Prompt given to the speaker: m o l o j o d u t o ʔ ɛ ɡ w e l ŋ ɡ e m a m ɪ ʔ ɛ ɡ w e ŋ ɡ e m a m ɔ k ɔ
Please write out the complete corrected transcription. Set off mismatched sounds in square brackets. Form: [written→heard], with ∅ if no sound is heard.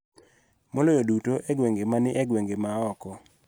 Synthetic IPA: m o l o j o d u t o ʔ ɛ ɡ w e [l→∅] ŋ ɡ e m a [m→n] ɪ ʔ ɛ ɡ w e ŋ ɡ e m a [m→∅] ɔ k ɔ